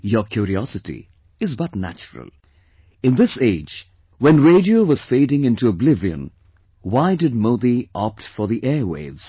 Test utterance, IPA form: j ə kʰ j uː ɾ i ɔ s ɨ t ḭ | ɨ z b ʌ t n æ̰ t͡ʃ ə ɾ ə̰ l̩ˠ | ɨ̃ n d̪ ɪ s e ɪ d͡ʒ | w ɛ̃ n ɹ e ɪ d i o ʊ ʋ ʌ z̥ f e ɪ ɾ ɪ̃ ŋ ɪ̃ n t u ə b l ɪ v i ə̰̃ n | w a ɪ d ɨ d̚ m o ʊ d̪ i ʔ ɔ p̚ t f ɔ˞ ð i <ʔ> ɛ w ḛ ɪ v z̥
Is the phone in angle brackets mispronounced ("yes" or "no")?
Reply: no